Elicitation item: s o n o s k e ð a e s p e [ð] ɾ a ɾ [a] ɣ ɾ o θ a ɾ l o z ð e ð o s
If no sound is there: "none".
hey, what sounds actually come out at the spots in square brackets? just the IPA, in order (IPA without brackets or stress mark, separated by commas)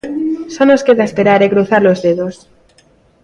none, e